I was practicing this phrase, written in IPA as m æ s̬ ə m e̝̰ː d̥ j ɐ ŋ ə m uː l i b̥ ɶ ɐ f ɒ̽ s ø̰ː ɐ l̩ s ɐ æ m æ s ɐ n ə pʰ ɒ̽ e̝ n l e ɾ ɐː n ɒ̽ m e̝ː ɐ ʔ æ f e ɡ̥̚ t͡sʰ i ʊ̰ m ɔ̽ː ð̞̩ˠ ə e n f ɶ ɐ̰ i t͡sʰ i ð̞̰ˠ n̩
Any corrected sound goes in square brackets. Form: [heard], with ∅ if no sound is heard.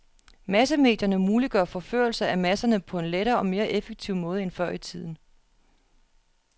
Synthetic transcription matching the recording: m æ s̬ ə m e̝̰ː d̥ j ɐ [n] ə m uː l i [ɡ̥] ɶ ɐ f ɒ̽ [f] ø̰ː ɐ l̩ s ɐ æ m æ s ɐ n ə pʰ ɒ̽ e̝ n l e ɾ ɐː [∅] ɒ̽ m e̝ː ɐ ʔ [e] f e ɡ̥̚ t͡sʰ i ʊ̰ m ɔ̽ː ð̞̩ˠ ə e n f ɶ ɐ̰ i t͡sʰ i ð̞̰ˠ n̩